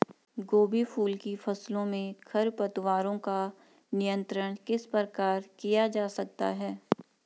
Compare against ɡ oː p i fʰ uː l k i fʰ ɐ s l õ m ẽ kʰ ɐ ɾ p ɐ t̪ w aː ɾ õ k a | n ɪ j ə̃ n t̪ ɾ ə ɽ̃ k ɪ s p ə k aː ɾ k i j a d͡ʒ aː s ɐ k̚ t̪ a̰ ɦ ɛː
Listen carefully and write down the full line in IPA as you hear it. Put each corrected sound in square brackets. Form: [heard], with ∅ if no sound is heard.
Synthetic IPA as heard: ɡ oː [b] i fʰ uː l k i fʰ ɐ s l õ m ẽ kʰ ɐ ɾ p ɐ t̪ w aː ɾ õ k a | n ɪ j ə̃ n t̪ ɾ ə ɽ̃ k ɪ s p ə k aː ɾ k i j a d͡ʒ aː s ɐ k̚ t̪ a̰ ɦ ɛː